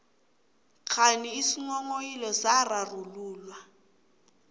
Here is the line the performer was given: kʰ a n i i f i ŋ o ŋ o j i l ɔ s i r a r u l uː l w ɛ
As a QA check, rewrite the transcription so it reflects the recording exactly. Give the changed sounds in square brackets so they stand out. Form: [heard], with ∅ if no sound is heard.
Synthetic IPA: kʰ a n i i [s] i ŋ [ɔ] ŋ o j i l ɔ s [a] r a r u l uː l w [a]